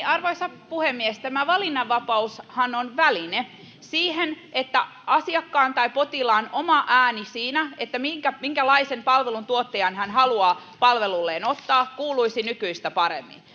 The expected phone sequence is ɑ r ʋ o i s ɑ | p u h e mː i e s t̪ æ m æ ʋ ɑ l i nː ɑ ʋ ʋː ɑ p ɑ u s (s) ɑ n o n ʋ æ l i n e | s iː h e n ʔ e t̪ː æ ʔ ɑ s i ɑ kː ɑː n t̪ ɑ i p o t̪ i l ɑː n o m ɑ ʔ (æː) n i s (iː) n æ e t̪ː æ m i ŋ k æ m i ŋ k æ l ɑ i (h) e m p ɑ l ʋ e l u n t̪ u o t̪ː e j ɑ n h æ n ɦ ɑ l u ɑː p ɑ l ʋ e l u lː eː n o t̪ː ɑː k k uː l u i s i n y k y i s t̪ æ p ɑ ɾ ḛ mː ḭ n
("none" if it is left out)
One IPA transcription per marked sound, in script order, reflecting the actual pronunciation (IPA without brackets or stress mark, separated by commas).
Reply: h, æː, iː, s